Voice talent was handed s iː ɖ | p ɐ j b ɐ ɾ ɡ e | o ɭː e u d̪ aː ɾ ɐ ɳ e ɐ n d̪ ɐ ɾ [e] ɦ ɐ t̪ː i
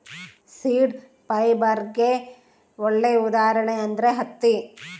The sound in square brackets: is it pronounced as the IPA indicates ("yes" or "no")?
yes